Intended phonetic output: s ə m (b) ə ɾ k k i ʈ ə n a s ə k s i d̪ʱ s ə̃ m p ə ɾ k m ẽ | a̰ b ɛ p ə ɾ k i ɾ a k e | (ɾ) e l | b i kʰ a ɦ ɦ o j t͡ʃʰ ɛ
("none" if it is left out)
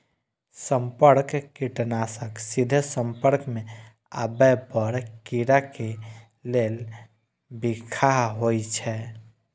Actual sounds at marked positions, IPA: p, l

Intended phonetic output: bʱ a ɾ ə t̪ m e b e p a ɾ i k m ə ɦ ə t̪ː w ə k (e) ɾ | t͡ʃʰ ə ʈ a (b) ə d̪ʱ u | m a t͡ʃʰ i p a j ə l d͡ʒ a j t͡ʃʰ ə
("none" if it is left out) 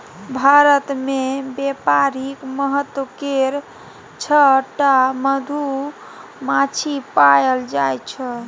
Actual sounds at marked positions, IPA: e, m

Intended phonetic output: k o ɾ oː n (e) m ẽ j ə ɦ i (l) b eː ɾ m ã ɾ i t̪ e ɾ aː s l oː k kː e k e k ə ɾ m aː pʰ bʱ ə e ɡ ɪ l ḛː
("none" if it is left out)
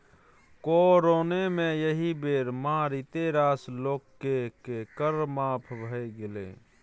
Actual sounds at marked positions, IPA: e, none

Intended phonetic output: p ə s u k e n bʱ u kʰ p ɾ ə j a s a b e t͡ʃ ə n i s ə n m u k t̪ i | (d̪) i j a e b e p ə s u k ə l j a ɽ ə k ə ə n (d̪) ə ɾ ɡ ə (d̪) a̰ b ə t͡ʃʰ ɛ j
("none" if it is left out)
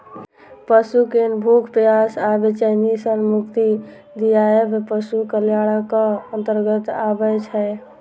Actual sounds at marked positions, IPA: d̪, t̪, t̪

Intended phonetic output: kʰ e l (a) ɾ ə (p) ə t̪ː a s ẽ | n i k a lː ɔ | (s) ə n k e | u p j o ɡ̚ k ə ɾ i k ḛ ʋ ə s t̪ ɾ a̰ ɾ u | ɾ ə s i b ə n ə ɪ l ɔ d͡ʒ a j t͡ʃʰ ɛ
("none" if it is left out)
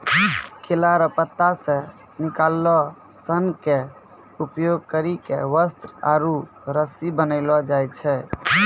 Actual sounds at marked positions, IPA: a, p, s

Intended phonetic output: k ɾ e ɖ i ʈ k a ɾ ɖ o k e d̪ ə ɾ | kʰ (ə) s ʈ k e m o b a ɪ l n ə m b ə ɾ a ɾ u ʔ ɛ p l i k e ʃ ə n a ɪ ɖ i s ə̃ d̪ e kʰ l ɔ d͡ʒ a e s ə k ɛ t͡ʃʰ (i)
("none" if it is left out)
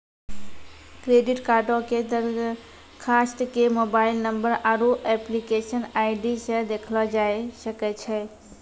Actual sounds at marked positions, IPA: a, ɛ

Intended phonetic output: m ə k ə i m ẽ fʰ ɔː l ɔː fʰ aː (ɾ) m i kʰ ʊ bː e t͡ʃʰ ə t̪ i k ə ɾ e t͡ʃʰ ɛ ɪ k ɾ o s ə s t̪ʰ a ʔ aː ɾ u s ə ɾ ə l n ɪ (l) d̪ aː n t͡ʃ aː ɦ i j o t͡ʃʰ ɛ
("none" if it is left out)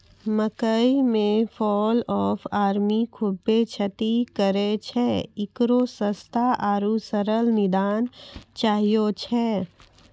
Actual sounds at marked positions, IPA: ɾ, none

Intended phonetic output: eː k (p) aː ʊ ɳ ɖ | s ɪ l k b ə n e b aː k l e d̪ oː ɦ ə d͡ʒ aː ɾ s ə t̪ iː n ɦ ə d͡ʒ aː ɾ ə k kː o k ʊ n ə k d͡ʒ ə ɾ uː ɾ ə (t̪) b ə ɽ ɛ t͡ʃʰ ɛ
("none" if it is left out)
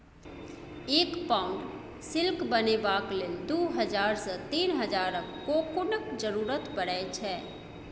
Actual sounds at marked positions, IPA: p, t̪

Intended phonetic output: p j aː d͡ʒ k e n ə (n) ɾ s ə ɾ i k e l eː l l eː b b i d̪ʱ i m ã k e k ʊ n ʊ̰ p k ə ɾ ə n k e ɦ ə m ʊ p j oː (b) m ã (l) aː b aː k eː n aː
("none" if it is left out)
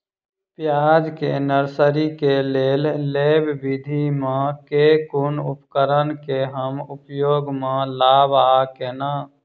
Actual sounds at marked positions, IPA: none, ɡ, l

